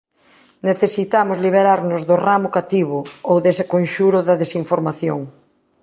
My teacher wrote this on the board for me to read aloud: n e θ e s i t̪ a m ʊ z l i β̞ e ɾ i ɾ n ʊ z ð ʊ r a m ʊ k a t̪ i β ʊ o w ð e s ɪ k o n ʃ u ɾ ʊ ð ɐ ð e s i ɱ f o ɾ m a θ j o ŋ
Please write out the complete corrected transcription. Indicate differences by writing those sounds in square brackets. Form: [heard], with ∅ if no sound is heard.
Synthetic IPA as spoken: n e θ e s i t̪ a m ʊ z l i β̞ e ɾ [a] ɾ n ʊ z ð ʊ r a m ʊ k a t̪ i β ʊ o w ð e s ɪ k o n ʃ u ɾ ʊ ð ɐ ð e s i ɱ f o ɾ m a θ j o ŋ

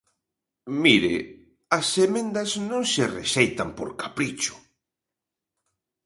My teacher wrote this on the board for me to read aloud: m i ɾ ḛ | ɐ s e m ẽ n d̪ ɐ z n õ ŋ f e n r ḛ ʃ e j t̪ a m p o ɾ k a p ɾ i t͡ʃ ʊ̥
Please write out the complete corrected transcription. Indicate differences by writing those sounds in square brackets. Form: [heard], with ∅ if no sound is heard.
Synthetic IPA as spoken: m i ɾ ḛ | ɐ s e m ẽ n d̪ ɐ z n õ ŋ [s] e [∅] r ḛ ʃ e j t̪ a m p o ɾ k a p ɾ i t͡ʃ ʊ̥

